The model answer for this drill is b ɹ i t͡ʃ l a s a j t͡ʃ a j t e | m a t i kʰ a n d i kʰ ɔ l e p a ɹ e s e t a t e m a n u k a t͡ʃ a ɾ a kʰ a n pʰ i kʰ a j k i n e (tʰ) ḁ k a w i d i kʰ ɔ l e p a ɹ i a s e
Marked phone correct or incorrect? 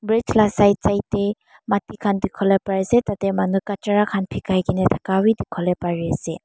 correct